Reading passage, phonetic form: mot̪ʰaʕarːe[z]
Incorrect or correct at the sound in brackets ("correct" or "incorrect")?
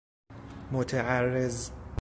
correct